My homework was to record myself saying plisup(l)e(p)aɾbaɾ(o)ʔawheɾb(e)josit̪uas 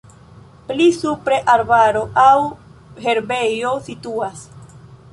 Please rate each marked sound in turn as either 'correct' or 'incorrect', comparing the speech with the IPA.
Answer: incorrect: ɾ, incorrect: ʔ, correct, correct

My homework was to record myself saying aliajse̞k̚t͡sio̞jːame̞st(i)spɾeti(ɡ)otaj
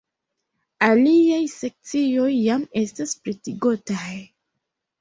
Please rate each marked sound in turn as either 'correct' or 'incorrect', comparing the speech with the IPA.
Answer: incorrect: a, correct

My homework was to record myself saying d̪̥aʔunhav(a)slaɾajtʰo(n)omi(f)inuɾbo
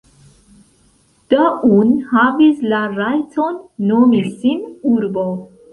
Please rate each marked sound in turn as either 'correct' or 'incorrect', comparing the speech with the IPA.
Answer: incorrect: i, incorrect: nː, incorrect: s

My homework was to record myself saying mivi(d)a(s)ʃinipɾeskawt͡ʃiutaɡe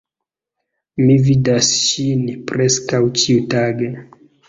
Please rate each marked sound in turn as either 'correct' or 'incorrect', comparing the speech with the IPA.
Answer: correct, correct

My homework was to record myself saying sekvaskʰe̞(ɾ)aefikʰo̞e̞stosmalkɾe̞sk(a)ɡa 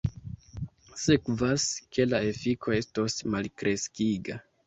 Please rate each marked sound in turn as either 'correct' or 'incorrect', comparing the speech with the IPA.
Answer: incorrect: l, incorrect: i

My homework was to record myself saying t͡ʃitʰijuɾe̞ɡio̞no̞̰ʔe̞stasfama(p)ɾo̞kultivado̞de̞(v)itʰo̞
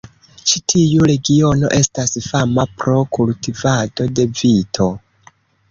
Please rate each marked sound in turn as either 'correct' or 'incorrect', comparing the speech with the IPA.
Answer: correct, correct

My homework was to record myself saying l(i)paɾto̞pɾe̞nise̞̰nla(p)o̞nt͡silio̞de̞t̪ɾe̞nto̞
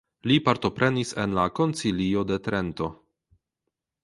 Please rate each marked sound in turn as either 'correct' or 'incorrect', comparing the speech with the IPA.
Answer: correct, incorrect: k

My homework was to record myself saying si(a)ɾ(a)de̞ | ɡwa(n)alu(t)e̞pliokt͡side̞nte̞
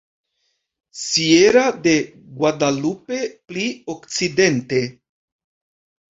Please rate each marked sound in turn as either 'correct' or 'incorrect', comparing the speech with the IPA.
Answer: incorrect: e, correct, incorrect: d, incorrect: p

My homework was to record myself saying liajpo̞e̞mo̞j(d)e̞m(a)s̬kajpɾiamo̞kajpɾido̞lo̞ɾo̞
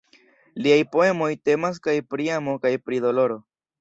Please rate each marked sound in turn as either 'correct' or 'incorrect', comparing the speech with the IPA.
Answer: incorrect: t, correct

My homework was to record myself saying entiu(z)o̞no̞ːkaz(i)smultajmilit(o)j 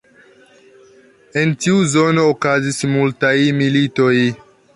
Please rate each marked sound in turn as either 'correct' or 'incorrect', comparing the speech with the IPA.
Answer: correct, correct, correct

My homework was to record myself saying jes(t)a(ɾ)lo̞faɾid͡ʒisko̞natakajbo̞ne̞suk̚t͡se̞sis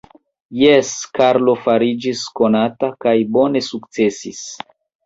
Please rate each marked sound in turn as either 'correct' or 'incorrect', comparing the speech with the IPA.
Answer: incorrect: k, correct

